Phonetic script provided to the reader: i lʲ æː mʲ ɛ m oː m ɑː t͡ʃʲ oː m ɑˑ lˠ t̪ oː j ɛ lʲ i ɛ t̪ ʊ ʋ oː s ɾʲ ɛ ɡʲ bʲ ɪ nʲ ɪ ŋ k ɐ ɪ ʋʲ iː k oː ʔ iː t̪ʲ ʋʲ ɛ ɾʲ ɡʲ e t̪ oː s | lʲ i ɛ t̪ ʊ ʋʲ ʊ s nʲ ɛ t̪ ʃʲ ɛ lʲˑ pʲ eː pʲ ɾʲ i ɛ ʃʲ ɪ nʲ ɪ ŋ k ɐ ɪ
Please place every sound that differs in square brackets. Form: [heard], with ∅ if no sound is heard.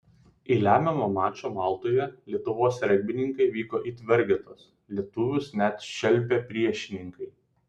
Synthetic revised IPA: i lʲ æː mʲ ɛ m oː m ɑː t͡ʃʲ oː m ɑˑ lˠ t̪ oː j ɛ lʲ i ɛ t̪ ʊ ʋ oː s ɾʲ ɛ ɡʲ bʲ ɪ nʲ ɪ ŋ k ɐ ɪ ʋʲ iː k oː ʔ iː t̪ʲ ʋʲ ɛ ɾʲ ɡʲ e t̪ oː s | lʲ i ɛ t̪ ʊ ʋʲ ʊ s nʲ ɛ t̪ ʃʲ ɛ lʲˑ pʲ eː pʲ ɾʲ i ɛ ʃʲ ɪ nʲ ɪ ŋ k ɐ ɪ